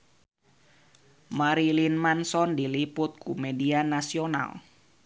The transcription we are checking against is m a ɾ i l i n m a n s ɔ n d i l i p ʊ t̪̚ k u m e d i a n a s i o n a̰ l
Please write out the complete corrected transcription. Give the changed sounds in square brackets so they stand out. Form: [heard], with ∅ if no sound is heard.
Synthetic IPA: m a ɾ i l i n m a n s ɔ n d i l i p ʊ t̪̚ k u m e d i a n a s i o n a̰ l